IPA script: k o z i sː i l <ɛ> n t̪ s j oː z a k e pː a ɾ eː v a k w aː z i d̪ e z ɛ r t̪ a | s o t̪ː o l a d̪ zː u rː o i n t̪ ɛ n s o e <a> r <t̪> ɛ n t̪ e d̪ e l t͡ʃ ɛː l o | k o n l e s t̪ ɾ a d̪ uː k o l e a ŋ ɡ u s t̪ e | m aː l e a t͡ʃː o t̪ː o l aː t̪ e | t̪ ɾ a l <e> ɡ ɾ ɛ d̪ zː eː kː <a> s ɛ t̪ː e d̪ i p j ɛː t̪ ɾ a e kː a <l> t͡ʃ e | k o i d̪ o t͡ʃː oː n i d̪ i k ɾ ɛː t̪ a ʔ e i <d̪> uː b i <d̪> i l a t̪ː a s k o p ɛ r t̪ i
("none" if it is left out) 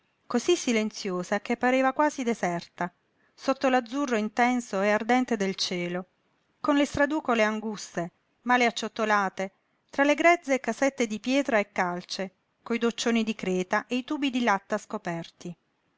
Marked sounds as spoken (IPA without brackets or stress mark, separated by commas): e, a, d̪, e, a, l, t̪, d̪